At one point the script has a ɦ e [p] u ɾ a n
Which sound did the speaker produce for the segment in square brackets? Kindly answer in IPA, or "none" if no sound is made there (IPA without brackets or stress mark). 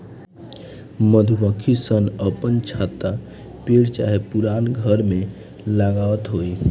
p